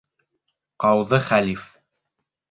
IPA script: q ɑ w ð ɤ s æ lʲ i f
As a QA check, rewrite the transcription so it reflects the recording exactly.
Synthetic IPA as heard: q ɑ w ð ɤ χ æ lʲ i f